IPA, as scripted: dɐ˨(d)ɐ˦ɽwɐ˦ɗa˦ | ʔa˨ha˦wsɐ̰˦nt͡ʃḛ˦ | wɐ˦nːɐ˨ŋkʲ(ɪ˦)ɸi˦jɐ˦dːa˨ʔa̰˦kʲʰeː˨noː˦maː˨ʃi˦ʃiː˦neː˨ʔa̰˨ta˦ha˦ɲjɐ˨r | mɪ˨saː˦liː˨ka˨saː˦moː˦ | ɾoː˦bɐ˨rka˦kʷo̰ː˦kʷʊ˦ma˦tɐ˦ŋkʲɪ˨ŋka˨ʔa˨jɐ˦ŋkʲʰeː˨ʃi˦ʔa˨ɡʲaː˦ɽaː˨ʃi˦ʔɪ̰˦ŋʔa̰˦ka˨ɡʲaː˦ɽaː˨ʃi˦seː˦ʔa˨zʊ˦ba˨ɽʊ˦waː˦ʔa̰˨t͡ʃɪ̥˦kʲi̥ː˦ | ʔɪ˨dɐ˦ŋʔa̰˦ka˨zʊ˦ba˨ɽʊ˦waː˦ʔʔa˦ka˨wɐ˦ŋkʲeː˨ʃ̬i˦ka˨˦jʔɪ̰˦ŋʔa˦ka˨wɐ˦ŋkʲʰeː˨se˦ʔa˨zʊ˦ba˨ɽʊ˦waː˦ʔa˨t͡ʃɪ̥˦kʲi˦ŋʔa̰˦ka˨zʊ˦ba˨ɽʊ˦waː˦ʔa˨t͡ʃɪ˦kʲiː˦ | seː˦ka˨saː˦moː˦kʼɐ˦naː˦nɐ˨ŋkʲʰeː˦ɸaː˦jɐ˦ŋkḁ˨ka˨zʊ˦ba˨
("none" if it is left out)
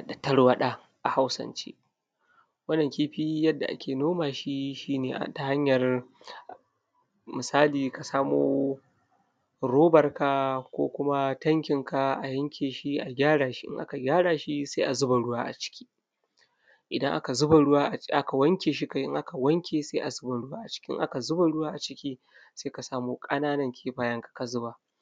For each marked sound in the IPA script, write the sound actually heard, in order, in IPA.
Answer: t, i˦

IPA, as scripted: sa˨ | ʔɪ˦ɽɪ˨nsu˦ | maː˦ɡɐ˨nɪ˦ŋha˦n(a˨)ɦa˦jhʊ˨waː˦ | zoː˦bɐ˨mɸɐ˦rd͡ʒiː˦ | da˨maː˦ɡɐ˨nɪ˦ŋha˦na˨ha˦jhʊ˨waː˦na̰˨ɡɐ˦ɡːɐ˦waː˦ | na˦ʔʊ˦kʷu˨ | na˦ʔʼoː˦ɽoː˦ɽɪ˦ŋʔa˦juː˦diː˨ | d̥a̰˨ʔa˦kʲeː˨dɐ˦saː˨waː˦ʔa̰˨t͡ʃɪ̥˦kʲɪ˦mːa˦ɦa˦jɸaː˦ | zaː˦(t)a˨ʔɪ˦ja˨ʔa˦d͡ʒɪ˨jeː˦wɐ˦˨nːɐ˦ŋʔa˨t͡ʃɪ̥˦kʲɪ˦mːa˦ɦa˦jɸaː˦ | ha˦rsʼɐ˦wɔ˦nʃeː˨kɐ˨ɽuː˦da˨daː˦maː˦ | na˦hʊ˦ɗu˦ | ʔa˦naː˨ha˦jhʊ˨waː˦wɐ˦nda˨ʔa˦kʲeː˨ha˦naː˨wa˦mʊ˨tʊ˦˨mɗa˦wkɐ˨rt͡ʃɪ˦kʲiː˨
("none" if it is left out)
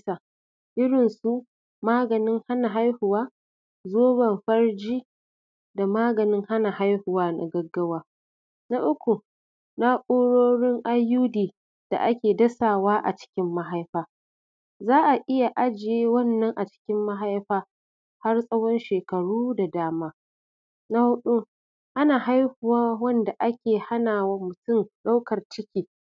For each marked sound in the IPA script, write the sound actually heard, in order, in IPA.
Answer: a˨, ʔ

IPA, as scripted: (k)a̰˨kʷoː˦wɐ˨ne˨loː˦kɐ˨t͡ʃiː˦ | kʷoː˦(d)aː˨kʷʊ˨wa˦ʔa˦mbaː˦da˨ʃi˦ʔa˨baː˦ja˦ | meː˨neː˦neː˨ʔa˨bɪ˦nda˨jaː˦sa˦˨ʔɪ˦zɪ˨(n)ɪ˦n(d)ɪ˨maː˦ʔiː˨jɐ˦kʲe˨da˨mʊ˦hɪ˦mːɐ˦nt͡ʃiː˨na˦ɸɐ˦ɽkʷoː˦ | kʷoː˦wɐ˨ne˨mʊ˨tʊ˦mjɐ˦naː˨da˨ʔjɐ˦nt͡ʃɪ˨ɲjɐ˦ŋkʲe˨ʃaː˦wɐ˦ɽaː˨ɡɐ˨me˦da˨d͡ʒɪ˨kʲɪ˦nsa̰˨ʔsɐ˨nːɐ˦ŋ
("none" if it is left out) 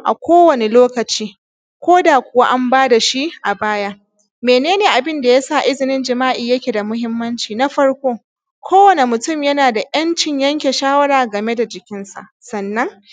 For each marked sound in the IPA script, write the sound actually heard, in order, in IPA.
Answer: ʔ, d, n, d͡ʒ

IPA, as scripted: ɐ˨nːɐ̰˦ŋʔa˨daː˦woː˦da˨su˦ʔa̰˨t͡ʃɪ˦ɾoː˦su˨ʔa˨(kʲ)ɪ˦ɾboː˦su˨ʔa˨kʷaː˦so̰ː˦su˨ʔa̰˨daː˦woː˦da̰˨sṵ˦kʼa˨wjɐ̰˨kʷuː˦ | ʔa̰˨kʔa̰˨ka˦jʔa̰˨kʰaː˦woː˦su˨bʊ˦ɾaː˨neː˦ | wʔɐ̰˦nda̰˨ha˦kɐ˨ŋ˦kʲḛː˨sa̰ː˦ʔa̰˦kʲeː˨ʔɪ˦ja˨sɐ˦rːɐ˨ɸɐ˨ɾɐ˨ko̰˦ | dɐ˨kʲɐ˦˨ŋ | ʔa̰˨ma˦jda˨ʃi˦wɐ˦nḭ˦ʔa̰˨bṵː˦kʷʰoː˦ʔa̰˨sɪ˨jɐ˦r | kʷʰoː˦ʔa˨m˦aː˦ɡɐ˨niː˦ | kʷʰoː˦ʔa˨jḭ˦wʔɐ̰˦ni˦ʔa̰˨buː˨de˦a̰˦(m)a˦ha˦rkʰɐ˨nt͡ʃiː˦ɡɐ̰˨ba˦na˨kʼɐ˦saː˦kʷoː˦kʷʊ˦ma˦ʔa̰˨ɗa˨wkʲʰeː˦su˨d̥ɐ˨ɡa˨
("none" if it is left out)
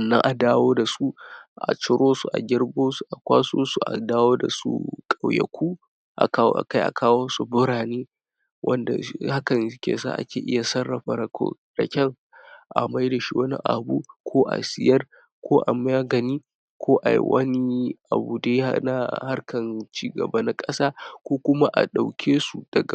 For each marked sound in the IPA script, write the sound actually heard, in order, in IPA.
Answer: ɡʲ, n

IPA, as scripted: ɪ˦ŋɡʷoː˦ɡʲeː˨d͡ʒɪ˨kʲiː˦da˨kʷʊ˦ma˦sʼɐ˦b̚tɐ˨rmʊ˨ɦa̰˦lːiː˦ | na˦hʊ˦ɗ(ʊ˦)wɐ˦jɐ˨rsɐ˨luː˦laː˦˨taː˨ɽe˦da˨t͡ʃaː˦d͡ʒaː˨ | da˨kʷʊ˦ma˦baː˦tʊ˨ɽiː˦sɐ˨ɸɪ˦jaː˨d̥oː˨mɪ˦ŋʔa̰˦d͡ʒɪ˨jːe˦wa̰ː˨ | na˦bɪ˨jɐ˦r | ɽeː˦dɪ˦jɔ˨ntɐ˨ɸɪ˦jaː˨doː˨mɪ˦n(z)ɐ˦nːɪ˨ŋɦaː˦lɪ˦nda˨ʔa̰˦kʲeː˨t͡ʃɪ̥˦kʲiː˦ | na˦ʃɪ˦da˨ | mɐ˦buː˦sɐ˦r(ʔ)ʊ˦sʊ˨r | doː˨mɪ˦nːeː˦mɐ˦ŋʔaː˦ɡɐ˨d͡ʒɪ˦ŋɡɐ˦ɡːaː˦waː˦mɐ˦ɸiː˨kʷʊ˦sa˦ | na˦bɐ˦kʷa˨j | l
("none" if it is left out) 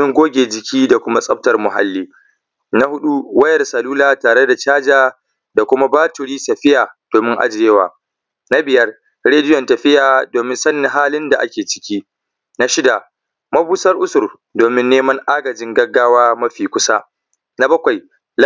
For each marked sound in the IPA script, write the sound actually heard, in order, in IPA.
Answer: u˦, s, ʔ

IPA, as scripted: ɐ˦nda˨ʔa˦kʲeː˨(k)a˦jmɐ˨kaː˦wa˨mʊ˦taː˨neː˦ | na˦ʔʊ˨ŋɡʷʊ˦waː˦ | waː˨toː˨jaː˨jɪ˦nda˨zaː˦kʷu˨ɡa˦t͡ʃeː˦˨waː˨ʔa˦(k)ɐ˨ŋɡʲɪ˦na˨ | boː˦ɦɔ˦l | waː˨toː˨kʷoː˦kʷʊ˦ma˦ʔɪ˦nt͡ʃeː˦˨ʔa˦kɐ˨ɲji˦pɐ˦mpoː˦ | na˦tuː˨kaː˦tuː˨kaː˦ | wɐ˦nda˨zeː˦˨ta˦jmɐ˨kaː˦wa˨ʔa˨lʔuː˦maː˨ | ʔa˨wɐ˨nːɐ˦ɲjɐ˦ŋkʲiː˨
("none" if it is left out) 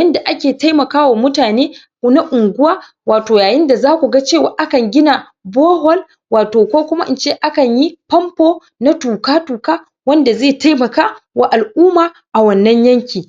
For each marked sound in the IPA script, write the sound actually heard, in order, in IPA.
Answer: t, k

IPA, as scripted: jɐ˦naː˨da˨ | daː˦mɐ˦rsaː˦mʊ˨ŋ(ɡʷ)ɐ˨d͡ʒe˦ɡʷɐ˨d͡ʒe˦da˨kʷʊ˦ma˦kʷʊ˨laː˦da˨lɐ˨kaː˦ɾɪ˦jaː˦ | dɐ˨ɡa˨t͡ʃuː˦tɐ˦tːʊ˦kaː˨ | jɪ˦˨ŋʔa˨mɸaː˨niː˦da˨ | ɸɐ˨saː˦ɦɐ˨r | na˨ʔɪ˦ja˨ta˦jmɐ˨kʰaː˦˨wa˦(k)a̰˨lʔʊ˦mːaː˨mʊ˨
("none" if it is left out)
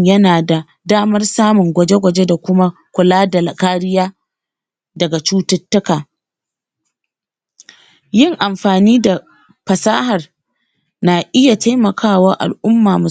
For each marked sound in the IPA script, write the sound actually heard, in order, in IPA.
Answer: ɡʷ, ʔ

